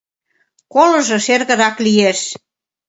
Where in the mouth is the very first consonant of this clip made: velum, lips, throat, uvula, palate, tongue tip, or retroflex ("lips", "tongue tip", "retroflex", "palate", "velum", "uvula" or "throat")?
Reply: velum